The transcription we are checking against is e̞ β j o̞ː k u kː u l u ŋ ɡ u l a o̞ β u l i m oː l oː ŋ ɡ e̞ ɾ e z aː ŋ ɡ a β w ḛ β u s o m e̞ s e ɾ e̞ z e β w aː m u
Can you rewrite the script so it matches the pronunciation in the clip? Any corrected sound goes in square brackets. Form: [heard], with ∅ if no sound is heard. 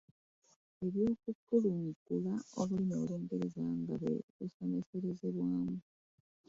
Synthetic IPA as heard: e̞ β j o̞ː k u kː u l u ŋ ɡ u l a o̞ β u l i m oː l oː ŋ ɡ e̞ ɾ e z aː ŋ ɡ a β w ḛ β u s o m e̞ s e ɾ e̞ z e β w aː m u